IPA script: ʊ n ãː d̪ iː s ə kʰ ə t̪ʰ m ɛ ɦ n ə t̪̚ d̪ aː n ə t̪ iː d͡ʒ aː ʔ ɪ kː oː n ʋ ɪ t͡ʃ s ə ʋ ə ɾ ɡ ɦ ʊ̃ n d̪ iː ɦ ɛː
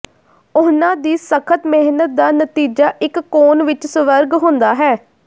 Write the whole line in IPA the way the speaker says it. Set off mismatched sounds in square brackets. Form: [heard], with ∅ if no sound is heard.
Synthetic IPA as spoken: ʊ n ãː d̪ iː s ə kʰ ə [t̪] m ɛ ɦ n ə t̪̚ d̪ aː n ə t̪ iː d͡ʒ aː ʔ ɪ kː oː n ʋ ɪ t͡ʃ s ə ʋ ə ɾ ɡ ɦ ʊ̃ n d̪ [aː] ɦ ɛː